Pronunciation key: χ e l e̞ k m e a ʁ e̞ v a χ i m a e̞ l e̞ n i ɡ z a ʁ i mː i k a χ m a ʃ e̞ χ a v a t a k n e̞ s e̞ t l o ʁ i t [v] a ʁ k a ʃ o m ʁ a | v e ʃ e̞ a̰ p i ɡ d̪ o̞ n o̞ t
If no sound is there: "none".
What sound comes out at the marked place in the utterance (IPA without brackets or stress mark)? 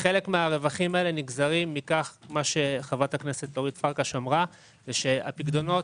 f